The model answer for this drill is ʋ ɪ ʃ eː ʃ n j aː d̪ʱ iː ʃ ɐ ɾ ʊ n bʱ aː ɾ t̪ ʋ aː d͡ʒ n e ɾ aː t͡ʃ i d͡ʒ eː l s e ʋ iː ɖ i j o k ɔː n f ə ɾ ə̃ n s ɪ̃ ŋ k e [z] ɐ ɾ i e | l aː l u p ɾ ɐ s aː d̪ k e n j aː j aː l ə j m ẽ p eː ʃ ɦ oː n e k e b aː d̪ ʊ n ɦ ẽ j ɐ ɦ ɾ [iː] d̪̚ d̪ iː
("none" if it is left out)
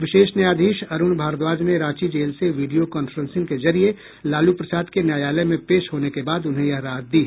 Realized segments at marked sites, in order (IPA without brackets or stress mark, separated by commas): z, aː